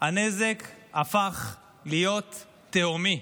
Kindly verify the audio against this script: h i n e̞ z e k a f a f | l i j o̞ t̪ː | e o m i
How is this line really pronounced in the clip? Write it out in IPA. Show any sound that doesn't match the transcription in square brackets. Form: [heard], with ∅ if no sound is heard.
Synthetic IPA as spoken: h [a] n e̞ z e k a f a [χ] | l i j o̞ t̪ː | e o m i